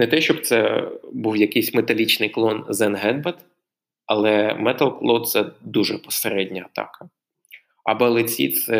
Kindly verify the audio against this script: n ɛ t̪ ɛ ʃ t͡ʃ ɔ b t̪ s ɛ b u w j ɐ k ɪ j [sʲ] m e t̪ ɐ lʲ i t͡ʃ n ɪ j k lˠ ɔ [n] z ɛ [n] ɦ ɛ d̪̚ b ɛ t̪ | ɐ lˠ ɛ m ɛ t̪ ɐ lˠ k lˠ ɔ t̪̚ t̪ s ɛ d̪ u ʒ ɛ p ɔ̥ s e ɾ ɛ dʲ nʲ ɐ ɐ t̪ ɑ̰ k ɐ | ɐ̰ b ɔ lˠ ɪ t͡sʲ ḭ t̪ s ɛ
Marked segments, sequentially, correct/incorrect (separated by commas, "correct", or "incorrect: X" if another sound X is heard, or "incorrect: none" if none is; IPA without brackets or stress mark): correct, correct, correct